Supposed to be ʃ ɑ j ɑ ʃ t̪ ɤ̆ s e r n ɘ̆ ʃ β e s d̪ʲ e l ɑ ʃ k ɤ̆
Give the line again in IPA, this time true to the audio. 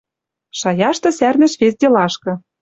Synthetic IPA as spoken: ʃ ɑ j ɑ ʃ t̪ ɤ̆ s æ r n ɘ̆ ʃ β e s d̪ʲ e l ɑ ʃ k ɤ̆

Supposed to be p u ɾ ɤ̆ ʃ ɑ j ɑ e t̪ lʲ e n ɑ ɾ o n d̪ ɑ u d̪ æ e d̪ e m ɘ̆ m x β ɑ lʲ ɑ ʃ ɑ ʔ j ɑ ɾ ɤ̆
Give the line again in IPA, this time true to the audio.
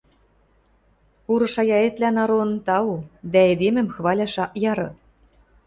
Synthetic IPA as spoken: p u ɾ ɤ̆ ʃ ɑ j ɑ e t̪ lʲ æ n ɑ ɾ o n t̪ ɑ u d̪ æ e d̪ e m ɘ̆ m x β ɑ lʲ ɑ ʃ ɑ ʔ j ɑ ɾ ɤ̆

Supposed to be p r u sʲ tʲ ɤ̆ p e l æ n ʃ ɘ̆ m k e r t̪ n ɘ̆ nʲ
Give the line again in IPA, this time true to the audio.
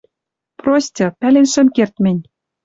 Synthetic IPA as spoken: p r o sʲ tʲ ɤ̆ p æ l e n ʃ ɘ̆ m k e r t̪ m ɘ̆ nʲ

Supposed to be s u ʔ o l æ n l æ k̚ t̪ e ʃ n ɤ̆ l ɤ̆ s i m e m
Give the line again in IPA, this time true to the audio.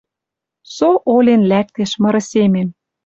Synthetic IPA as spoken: s o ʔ o l e n l æ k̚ t̪ e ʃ m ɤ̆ ɾ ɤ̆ s e m e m

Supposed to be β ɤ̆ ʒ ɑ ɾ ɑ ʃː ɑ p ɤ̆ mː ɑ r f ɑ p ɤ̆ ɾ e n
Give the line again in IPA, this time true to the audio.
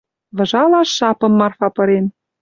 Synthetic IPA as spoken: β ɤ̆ ʒ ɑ l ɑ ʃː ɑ p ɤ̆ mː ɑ r f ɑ p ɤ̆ ɾ e n

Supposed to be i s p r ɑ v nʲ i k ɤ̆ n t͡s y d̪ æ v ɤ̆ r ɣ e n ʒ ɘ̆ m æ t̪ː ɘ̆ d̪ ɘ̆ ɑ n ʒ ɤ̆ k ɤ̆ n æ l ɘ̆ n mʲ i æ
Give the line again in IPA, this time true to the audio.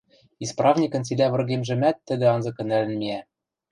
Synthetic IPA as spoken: i s p r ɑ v nʲ i k ɤ̆ n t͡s i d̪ æ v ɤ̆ r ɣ e m ʒ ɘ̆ m æ t̪ː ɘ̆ d̪ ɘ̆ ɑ n z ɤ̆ k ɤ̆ n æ l ɘ̆ n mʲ i æ

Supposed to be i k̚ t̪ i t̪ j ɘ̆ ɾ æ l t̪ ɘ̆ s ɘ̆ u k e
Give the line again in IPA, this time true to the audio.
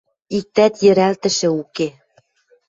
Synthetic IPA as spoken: i k̚ t̪ æ t̪ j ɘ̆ ɾ æ l t̪ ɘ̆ ʃ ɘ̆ u k e

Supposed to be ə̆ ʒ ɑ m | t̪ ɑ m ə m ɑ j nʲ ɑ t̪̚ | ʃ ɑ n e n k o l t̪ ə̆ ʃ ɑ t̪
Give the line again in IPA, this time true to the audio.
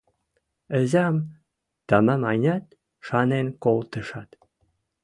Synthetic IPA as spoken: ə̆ z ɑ m | t̪ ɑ m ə m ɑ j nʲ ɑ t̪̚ | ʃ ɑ n e n k o l t̪ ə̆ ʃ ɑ t̪

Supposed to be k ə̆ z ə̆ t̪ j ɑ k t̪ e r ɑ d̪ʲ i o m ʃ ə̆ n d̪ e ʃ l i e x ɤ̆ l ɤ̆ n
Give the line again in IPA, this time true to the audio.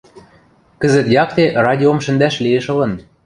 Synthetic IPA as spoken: k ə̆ z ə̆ t̪ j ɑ k t̪ e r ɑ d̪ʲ i o m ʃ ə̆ n d̪ æ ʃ l i e ʃ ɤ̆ l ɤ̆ n

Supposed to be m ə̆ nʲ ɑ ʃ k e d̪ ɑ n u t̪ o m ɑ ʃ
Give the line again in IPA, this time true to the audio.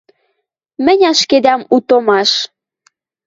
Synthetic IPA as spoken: m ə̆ nʲ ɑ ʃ k e d̪ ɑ m u t̪ o m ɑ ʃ

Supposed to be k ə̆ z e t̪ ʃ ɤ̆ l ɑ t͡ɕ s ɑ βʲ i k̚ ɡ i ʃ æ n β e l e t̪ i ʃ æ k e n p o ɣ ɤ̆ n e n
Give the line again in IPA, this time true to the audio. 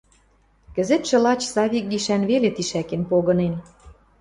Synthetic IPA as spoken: k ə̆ z e t̪ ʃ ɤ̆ l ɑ t͡ɕ s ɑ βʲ i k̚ ɡ i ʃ æ n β e l e t̪ i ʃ æ k e n p o ɣ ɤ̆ n e n

